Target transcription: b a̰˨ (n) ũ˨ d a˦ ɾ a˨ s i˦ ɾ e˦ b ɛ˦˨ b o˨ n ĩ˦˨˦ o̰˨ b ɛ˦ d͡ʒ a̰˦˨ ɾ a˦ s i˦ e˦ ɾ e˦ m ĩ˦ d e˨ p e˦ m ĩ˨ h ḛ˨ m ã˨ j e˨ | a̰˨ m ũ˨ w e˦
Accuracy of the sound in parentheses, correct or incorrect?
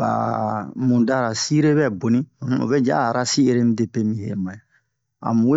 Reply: incorrect